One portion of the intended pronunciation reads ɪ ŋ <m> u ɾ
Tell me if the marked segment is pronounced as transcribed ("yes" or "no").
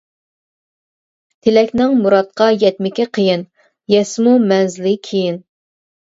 yes